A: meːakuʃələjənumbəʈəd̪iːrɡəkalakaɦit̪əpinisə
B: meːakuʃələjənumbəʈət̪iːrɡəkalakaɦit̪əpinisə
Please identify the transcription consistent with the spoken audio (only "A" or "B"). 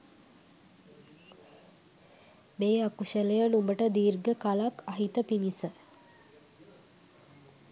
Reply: A